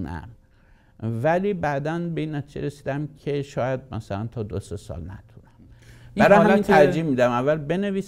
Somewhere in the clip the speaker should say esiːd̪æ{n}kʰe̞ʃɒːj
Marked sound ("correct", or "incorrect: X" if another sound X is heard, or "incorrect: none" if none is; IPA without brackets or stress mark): incorrect: m